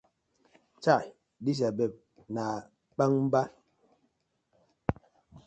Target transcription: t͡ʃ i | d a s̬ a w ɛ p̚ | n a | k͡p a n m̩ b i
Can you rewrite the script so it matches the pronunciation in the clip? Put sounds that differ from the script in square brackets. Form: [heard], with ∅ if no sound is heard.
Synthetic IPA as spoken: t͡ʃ [a] | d [i] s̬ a [b] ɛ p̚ | n a | k͡p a [ŋ] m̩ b [a]